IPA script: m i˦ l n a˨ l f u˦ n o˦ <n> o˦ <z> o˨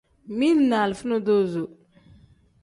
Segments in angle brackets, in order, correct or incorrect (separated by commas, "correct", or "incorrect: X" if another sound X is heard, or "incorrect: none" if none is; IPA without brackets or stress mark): incorrect: d, correct